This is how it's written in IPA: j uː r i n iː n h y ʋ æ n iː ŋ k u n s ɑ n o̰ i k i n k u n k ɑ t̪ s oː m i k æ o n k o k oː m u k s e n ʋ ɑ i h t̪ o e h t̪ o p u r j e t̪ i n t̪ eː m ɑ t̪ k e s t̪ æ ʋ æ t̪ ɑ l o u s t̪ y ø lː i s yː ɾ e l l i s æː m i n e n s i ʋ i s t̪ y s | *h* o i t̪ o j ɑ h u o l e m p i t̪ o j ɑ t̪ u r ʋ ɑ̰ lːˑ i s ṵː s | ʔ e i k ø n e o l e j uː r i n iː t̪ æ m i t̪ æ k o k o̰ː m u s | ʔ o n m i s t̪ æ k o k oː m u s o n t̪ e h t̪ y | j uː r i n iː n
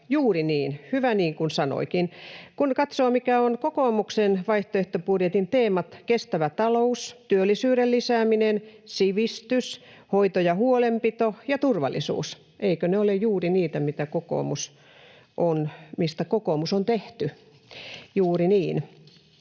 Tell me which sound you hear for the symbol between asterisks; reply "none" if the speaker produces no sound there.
h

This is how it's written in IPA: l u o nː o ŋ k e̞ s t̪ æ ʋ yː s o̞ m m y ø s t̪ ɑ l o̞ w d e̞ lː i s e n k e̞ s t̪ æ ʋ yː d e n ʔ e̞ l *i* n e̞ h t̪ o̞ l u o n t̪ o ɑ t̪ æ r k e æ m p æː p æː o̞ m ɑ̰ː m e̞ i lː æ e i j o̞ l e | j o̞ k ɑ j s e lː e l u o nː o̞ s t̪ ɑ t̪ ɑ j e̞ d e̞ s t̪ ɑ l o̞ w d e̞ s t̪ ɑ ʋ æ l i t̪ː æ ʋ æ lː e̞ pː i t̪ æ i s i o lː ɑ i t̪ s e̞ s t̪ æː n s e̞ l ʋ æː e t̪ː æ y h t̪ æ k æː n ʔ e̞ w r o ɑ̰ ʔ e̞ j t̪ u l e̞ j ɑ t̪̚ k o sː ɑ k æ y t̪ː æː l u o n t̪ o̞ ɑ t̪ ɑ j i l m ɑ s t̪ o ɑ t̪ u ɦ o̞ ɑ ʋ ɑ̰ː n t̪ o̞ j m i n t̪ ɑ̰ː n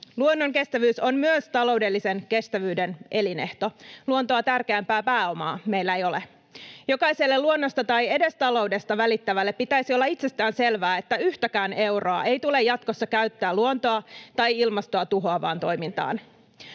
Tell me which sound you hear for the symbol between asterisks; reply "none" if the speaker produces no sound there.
i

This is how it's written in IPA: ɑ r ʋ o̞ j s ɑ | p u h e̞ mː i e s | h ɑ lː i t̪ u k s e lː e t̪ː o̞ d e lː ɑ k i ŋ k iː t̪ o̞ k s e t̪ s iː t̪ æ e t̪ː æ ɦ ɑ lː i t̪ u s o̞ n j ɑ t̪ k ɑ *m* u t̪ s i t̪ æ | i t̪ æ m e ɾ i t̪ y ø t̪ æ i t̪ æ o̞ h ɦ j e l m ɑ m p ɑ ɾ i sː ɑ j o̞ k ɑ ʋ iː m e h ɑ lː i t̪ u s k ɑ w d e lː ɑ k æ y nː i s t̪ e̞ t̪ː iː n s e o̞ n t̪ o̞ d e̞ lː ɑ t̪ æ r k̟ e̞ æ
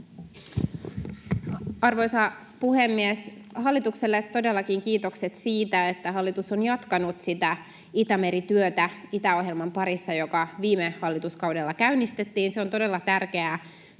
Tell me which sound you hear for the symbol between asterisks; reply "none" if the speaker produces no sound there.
n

